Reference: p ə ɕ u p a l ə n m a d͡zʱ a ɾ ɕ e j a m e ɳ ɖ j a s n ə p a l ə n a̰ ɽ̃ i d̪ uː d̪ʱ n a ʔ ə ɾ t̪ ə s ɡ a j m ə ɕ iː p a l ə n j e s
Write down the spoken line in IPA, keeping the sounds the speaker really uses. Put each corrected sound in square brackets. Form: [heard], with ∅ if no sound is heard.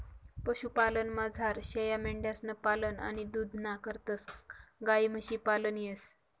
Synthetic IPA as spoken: p ə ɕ u p a l ə n m a d͡zʱ a ɾ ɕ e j a m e ɳ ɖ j a s n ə p a l ə n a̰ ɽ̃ i d̪ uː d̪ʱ n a [k] ə ɾ t̪ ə s ɡ a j m ə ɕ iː p a l ə n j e s